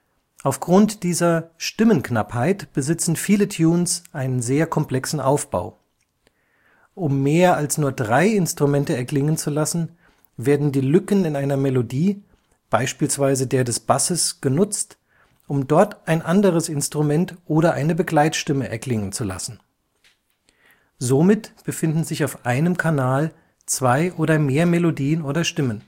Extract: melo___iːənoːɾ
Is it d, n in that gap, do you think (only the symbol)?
d